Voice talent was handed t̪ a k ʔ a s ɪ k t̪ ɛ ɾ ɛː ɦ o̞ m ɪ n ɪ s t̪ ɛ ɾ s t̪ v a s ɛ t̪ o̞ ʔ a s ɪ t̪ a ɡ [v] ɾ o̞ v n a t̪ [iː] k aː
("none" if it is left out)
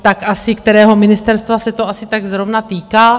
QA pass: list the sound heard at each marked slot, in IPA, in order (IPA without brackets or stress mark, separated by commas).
z, iː